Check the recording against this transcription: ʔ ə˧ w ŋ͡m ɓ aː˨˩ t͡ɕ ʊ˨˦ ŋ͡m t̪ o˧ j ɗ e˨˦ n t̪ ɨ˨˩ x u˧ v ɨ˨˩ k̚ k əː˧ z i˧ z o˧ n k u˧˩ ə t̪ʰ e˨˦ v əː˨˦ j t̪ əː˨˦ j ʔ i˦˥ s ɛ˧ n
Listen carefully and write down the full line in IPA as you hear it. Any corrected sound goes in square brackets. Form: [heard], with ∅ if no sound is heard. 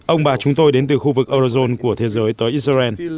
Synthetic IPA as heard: ʔ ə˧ w ŋ͡m ɓ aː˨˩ t͡ɕ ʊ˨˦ ŋ͡m t̪ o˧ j ɗ e˨˦ n t̪ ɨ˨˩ x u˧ v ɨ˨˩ k̚ [ʔ] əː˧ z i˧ z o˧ n k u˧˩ ə t̪ʰ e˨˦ [z] əː˨˦ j t̪ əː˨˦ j ʔ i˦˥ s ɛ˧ n